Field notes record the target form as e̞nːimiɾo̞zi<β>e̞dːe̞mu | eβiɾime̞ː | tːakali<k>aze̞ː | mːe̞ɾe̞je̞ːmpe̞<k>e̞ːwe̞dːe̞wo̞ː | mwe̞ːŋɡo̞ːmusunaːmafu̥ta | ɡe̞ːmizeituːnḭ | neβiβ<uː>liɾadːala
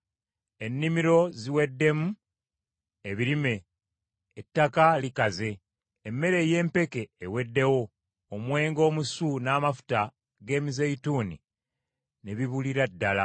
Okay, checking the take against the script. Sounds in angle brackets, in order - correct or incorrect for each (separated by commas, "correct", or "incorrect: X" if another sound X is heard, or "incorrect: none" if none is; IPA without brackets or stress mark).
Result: incorrect: w, correct, correct, incorrect: u